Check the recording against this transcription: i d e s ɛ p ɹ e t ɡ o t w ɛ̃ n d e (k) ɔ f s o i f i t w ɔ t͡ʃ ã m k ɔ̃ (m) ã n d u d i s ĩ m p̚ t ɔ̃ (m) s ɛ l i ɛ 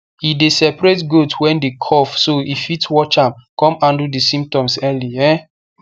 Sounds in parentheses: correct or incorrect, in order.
incorrect, correct, correct

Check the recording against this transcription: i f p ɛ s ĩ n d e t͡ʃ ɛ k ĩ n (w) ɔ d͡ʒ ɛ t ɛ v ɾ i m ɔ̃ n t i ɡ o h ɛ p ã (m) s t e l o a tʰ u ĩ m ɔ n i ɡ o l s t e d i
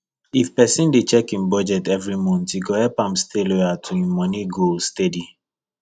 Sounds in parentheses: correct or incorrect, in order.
incorrect, correct

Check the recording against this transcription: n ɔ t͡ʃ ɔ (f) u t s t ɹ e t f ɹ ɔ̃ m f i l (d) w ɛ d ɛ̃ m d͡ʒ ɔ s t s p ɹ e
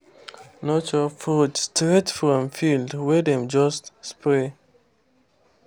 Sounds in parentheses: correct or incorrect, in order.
correct, correct

